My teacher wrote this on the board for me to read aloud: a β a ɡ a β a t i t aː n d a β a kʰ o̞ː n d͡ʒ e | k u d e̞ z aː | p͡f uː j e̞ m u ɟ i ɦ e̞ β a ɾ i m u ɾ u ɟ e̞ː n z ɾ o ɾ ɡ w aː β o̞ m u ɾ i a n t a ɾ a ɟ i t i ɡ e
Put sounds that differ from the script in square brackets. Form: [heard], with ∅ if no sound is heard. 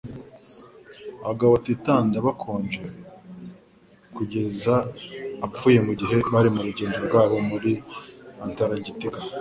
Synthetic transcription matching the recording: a β a ɡ a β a t i t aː n d a β a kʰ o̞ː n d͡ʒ e | k u [ɟ] e̞ z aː | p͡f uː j e̞ m u ɟ i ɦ e̞ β a ɾ i m u ɾ u ɟ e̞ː n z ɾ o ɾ ɡ w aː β o̞ m u ɾ i a n t a ɾ a ɟ i t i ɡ [a]

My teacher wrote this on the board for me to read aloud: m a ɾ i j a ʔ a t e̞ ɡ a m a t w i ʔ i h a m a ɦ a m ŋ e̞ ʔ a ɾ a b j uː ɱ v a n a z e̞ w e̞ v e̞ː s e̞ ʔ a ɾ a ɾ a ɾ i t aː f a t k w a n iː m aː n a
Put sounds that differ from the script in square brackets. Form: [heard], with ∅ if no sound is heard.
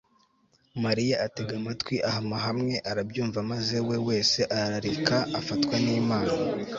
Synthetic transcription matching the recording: m a ɾ i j a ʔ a t e̞ ɡ a m a t w i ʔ [a] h a m a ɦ a m ŋ e̞ ʔ a ɾ a b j uː ɱ v a [m] a z e̞ w e̞ [w] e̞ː s e̞ ʔ a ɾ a ɾ a ɾ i [k] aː f a t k w a n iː m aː n a

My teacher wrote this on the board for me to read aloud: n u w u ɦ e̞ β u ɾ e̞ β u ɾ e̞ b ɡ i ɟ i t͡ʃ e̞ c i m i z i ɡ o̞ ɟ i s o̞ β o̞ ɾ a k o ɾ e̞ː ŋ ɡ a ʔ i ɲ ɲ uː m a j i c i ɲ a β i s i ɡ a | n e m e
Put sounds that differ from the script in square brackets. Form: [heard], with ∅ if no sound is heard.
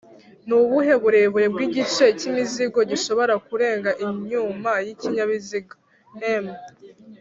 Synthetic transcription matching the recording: n u [β] u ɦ e̞ β u ɾ e̞ β u ɾ e̞ b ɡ i ɟ i t͡ʃ e̞ c i m i z i ɡ o̞ ɟ i [ʃ] o̞ β o̞ ɾ a k [u] ɾ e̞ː ŋ ɡ a ʔ i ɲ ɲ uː m a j i c i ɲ a β i [z] i ɡ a | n e m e

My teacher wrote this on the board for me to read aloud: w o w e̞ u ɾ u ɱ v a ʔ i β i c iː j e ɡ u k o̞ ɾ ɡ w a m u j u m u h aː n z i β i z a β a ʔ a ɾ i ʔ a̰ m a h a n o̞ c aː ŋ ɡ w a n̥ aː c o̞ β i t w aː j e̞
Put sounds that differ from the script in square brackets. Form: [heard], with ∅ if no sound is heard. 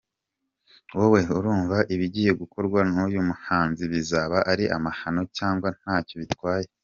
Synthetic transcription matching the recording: w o w e̞ u ɾ [uː] ɱ v a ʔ i β i [ɟ] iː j e ɡ u k o̞ ɾ ɡ w a [n] u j u m u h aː n z i β i z a β a ʔ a ɾ i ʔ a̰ m a h a n o̞ c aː ŋ ɡ w a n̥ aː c o̞ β i t w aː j e̞

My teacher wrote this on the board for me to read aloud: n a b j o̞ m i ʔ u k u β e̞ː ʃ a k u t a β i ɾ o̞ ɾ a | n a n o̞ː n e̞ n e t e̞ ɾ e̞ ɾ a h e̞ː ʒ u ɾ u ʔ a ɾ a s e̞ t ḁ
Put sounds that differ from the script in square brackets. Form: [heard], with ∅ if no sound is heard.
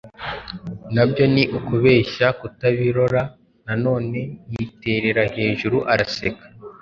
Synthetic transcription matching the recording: n a b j o̞ [n] i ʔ u k u β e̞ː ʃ a k u t a β i ɾ o̞ ɾ a | n a n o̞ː n e̞ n [i] t e̞ ɾ e̞ ɾ a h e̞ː ʒ u ɾ u ʔ a ɾ a s e̞ [k] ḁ

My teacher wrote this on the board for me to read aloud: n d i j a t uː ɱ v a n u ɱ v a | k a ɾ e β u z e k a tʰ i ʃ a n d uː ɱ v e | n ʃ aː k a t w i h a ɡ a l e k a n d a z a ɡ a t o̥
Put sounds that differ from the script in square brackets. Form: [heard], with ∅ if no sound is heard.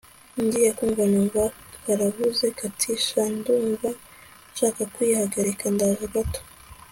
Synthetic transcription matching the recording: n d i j a [k] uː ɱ v a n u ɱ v a | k a ɾ [a] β u z e k a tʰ i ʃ a n d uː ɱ v [a] | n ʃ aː k a [k] w i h a ɡ a [ɾ] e k a n d a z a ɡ a t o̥

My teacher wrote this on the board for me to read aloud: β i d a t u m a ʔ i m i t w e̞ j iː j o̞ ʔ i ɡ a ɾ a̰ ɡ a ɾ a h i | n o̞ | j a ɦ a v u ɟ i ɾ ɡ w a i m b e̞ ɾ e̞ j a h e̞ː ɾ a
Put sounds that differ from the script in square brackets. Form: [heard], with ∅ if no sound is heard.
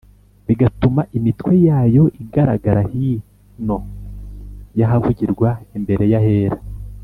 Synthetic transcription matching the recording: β i [ɡ] a t u m a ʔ i m i t w e̞ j [aː] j o̞ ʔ i ɡ a ɾ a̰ ɡ a ɾ a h i | n o̞ | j a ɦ a v u ɟ i ɾ ɡ w a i m b e̞ ɾ e̞ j a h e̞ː ɾ a

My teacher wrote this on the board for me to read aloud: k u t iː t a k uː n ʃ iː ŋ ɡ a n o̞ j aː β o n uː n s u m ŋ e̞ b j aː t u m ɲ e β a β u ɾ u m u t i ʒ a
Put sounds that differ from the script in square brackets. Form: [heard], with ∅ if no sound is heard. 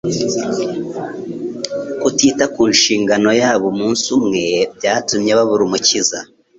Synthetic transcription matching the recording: k u t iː t a k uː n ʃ iː ŋ ɡ a n o̞ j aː β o [m] uː n s u m ŋ e̞ b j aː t u m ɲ e β a β u ɾ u m u [c] i [z] a

